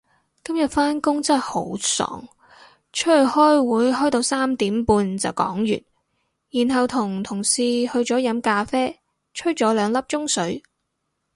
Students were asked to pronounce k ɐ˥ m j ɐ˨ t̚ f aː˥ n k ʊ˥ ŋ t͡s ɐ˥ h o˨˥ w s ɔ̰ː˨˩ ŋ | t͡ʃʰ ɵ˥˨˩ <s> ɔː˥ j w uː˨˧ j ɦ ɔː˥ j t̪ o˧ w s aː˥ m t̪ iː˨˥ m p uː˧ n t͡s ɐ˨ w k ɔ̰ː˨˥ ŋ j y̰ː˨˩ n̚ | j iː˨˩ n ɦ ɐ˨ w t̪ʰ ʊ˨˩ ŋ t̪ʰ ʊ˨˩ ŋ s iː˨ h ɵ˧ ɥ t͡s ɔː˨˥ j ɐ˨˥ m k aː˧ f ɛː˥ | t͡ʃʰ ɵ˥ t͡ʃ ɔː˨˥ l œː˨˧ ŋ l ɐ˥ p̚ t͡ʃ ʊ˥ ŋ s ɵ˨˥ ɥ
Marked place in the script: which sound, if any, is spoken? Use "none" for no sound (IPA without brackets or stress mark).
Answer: h